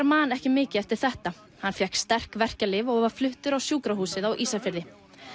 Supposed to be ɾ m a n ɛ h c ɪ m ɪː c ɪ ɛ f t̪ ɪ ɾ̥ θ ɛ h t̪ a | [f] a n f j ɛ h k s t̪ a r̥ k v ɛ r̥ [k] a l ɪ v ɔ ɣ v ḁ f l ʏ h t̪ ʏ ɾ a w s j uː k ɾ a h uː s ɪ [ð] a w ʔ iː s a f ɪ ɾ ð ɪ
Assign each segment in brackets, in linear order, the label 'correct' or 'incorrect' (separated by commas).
incorrect, incorrect, correct